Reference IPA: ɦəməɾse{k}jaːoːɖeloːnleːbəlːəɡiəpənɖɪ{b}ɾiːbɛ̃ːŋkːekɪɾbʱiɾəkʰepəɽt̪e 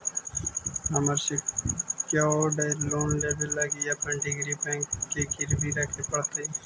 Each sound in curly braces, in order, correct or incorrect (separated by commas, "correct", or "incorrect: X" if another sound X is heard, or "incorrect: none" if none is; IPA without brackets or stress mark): correct, incorrect: ɡ